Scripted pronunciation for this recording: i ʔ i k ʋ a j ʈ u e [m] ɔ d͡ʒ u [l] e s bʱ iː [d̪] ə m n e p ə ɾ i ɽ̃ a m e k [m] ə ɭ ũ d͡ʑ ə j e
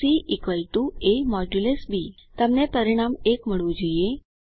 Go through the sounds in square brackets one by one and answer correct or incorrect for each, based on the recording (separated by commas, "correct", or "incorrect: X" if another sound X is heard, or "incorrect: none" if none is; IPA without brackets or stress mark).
correct, correct, incorrect: t̪, correct